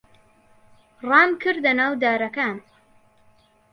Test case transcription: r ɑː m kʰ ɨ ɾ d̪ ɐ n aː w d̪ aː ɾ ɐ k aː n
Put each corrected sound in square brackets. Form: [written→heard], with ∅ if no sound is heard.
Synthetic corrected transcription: r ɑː m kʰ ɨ ɾ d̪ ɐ n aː w d̪ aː ɾ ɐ k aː n